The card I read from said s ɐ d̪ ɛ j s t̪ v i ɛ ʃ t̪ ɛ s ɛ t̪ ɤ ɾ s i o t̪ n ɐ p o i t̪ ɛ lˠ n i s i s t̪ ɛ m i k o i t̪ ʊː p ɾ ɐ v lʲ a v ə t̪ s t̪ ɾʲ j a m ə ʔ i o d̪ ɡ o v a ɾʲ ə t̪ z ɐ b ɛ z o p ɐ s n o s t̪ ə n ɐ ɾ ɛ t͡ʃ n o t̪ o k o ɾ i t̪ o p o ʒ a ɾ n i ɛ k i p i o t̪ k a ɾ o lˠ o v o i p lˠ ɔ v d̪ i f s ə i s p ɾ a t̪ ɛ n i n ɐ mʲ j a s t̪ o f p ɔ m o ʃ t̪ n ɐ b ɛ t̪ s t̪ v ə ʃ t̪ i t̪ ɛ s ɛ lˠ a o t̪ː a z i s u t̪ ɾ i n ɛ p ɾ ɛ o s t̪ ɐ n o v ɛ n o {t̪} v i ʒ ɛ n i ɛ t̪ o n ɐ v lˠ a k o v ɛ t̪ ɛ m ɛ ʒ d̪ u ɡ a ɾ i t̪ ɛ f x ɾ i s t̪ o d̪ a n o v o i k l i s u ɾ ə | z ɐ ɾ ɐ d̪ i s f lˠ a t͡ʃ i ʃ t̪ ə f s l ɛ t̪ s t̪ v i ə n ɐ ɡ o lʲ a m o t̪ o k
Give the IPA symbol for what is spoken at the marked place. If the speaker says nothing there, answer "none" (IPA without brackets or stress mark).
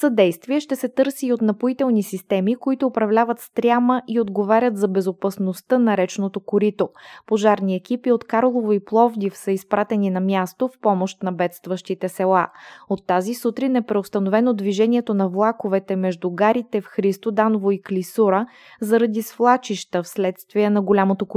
d̪